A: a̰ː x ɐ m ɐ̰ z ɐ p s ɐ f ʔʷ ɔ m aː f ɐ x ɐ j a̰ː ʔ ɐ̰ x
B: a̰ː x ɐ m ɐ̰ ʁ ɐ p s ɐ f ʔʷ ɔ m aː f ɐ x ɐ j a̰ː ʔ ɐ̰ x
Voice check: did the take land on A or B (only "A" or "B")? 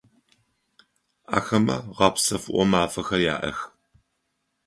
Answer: B